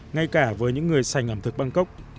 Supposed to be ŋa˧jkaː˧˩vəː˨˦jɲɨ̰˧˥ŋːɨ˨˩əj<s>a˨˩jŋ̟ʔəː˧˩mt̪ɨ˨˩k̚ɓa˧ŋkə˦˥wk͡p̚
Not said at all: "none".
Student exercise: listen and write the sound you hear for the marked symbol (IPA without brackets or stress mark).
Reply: s